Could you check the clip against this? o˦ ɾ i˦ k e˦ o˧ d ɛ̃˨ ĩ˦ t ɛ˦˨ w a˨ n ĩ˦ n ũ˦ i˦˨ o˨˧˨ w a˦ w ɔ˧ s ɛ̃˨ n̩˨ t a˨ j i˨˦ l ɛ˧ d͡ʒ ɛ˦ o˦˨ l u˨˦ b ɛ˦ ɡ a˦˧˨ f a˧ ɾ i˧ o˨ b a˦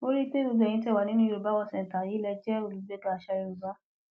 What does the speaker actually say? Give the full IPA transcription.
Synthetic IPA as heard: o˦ ɾ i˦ t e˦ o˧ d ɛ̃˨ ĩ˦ t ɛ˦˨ w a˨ n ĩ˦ n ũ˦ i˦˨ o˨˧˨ b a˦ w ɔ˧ s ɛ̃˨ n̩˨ t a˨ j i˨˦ l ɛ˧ d͡ʒ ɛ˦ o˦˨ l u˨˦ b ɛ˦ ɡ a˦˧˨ ʃ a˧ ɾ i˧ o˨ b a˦